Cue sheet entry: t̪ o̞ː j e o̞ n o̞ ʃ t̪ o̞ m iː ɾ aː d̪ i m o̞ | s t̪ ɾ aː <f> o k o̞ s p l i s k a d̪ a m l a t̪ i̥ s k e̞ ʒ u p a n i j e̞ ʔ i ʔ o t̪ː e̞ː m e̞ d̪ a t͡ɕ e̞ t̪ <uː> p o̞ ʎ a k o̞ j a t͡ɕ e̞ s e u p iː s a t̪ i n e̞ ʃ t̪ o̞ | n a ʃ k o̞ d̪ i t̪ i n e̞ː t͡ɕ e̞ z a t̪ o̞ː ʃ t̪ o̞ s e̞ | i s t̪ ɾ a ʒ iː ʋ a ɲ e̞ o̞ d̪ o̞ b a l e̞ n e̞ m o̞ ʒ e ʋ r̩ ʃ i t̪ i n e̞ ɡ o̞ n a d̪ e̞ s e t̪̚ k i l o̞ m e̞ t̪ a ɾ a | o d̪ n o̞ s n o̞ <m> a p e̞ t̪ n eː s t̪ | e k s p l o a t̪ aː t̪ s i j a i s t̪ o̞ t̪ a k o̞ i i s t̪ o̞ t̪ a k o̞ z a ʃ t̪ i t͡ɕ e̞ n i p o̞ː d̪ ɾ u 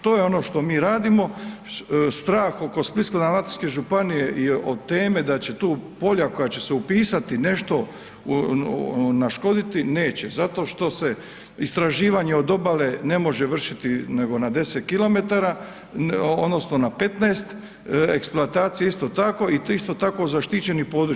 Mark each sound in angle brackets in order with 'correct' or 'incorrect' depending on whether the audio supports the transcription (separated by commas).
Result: incorrect, correct, incorrect